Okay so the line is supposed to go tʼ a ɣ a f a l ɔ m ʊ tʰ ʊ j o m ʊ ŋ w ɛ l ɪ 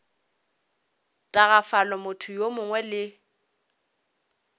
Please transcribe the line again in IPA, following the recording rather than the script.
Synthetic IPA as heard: tʼ a ɣ a f a l ɔ m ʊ tʰ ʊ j o m ʊ ŋ w ɛ l ɪ